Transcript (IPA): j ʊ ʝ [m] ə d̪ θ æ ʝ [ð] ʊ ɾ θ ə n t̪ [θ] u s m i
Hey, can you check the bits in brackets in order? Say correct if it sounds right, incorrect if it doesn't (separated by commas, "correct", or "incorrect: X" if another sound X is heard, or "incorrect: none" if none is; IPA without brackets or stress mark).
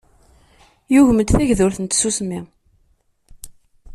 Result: correct, correct, incorrect: s